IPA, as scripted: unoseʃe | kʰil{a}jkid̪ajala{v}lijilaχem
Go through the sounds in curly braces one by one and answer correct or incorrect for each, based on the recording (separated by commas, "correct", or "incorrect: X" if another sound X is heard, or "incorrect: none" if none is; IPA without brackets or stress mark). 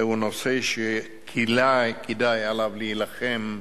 correct, correct